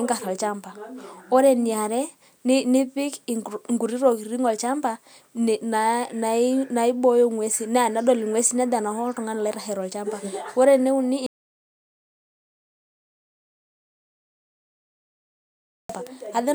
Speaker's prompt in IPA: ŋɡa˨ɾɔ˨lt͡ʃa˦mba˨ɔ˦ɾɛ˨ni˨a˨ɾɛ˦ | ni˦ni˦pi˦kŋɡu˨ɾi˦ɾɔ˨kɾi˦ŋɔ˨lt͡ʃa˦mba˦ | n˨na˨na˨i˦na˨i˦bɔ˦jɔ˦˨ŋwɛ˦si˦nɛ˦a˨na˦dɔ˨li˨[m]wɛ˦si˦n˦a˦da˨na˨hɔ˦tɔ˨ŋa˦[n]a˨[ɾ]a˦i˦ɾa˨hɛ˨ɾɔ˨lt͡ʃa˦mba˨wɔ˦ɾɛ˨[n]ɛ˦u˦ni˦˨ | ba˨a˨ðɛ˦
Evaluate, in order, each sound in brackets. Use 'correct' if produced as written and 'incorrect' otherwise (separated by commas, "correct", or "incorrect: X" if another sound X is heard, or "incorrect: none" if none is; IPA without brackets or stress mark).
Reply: incorrect: ŋ, correct, incorrect: l, correct